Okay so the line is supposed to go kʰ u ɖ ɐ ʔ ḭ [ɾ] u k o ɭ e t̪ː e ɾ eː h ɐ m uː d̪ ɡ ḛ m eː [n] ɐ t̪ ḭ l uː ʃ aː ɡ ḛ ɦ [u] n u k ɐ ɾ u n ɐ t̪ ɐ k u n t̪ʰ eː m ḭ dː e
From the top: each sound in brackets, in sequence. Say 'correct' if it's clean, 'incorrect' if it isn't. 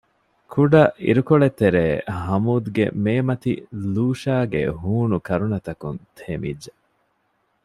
correct, incorrect: m, incorrect: uː

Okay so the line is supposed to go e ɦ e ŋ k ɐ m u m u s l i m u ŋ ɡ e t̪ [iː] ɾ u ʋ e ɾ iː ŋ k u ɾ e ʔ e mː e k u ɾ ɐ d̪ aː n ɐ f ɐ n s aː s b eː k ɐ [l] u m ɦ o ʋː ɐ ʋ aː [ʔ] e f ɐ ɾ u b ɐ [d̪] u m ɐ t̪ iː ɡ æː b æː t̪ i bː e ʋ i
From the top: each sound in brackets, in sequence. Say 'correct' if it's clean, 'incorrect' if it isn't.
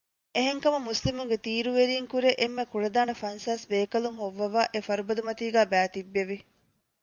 correct, correct, correct, correct

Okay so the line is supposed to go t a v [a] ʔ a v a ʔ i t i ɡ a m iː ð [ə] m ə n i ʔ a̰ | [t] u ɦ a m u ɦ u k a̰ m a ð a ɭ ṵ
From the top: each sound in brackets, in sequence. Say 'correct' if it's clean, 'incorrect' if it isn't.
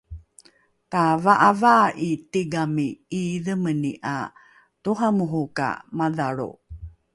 correct, correct, correct

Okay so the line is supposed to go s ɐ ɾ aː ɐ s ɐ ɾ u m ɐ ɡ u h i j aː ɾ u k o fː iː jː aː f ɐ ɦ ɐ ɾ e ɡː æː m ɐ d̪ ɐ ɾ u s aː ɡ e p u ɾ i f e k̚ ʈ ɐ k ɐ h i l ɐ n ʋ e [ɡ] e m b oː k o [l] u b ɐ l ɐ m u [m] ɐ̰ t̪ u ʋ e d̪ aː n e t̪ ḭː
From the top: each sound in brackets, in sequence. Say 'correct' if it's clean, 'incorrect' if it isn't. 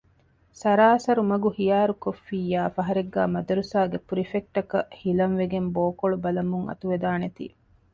correct, incorrect: ɭ, incorrect: ŋ

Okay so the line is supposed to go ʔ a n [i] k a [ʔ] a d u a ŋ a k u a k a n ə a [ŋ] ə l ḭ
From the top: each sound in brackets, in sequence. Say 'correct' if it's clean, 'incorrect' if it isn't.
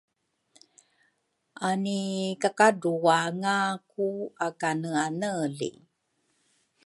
correct, incorrect: k, incorrect: n

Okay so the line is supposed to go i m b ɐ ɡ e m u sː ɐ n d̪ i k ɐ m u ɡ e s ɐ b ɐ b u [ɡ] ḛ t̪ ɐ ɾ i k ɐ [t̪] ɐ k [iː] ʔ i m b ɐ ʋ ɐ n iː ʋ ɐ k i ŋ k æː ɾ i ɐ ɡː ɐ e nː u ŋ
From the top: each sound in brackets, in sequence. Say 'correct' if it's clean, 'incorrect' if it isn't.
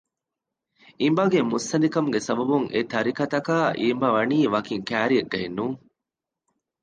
incorrect: ŋ, correct, incorrect: aː

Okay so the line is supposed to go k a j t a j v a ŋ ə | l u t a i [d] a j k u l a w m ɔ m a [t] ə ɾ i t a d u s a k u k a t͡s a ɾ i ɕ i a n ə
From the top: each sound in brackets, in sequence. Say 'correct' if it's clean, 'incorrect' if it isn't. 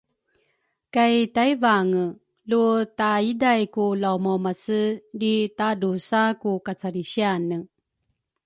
correct, incorrect: s

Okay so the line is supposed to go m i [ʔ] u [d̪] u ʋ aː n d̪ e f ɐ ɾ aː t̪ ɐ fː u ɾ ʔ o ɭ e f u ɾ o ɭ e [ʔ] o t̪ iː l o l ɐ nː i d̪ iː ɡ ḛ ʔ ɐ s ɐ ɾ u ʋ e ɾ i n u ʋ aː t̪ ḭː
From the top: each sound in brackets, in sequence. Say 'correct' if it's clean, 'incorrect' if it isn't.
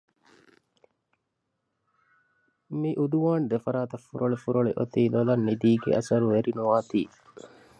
correct, correct, correct

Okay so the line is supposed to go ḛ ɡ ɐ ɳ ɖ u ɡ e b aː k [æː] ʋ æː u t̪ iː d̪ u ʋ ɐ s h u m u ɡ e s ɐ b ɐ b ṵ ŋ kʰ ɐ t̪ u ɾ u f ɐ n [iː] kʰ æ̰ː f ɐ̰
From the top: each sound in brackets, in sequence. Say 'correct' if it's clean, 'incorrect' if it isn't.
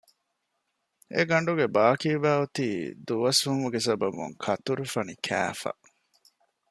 incorrect: iː, incorrect: i

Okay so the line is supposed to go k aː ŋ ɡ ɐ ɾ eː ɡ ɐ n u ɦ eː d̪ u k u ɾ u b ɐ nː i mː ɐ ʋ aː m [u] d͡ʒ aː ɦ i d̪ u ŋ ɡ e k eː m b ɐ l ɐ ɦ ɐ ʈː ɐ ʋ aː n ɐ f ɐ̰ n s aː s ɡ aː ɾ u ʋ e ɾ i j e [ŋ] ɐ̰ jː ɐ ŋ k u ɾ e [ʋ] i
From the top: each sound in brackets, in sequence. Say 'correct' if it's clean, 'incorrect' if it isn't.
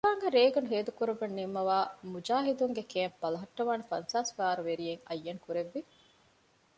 correct, correct, incorrect: ʋː

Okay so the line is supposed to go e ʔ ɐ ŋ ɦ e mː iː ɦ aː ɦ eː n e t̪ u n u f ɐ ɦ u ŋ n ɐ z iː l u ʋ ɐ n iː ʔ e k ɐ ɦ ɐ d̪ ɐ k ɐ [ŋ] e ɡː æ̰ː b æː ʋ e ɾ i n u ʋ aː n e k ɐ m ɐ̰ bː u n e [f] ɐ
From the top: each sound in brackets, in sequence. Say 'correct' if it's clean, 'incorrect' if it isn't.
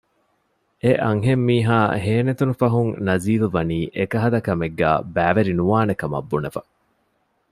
incorrect: m, correct

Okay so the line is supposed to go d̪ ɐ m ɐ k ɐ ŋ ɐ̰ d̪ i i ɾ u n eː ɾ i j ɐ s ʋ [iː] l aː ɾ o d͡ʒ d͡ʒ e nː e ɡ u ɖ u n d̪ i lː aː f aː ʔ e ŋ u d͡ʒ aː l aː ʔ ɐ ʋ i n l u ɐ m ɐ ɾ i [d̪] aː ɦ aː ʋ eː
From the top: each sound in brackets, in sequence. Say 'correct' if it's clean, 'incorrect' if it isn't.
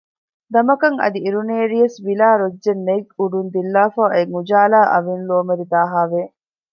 incorrect: i, correct

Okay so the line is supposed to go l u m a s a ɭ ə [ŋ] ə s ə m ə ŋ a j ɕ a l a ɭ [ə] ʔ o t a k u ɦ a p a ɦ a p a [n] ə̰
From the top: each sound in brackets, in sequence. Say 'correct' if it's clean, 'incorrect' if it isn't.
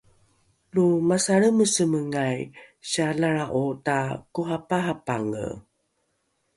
incorrect: m, incorrect: a, incorrect: ŋ

